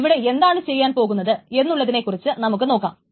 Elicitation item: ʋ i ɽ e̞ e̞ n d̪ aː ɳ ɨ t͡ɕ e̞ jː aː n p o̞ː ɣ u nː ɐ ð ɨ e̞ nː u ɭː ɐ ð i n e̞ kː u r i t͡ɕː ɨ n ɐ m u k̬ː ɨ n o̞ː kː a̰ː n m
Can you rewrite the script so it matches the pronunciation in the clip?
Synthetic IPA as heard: ʋ i ɽ e̞ e̞ n d̪ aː ɳ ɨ t͡ɕ e̞ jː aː n p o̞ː ɣ u nː ɐ ð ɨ e̞ nː u ɭː ɐ ð i n e̞ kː u r i t͡ɕː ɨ n ɐ m u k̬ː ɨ n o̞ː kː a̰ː m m